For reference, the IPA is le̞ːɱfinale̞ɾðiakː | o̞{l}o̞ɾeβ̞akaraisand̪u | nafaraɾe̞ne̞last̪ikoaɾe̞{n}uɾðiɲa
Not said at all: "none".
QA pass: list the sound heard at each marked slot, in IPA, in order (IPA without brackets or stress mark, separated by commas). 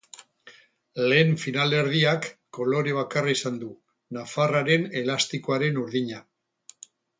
l, n